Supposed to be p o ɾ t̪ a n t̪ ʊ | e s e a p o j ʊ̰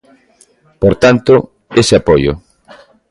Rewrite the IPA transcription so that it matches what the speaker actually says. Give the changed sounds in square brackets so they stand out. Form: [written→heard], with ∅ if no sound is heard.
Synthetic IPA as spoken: p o ɾ t̪ a n t̪ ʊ | e s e a p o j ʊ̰